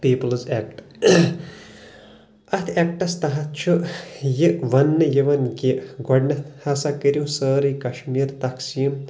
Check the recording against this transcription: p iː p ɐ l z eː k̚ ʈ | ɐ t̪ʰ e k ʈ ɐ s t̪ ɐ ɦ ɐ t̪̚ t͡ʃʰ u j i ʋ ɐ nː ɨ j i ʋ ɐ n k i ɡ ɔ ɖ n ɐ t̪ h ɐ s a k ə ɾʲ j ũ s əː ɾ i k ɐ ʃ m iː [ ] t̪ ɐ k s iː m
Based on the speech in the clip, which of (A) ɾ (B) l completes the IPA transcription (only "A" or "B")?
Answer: A